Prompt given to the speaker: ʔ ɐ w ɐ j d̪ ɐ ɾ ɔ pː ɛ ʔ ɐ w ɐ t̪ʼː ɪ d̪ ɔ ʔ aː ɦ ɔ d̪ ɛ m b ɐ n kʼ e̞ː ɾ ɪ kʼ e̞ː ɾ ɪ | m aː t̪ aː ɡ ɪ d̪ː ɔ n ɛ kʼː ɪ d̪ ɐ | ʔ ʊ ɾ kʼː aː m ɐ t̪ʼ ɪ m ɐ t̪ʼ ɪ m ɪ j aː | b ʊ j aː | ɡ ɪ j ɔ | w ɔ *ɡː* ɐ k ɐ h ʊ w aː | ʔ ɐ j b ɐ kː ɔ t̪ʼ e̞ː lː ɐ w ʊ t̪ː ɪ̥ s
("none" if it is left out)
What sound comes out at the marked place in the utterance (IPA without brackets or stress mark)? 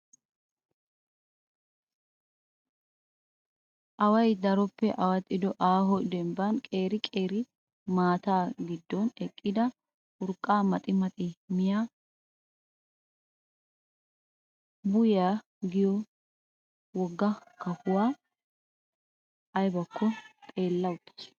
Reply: ɡː